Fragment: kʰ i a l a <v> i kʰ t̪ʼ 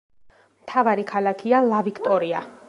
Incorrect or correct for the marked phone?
correct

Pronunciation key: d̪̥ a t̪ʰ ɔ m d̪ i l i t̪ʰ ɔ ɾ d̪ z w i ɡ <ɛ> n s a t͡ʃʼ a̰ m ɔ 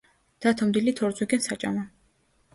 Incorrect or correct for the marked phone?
correct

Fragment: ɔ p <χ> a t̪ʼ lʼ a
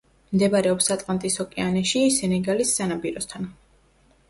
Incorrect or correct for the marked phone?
incorrect: s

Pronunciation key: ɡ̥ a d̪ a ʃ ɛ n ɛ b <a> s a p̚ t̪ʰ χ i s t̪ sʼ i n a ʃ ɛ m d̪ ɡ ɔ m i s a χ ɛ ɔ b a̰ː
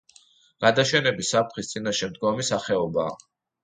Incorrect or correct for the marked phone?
incorrect: i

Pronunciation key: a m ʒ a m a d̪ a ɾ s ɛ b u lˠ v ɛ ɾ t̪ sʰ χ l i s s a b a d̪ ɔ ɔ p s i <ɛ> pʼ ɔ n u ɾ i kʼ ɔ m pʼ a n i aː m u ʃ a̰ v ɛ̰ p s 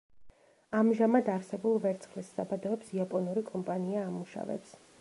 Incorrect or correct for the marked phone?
incorrect: a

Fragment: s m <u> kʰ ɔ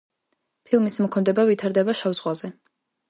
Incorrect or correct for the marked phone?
incorrect: ɔ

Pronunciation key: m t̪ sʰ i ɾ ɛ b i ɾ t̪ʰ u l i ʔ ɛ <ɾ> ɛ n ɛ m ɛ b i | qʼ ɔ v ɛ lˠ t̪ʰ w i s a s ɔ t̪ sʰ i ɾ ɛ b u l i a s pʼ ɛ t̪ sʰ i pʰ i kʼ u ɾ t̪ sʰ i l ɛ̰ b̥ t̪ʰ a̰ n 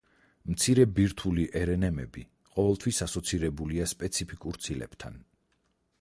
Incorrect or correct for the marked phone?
correct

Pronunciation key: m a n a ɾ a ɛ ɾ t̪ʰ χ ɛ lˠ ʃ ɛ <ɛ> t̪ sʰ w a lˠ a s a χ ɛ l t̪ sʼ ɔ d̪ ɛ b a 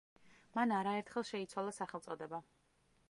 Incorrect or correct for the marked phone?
incorrect: i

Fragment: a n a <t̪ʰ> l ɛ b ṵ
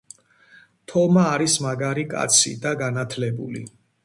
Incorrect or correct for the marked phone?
correct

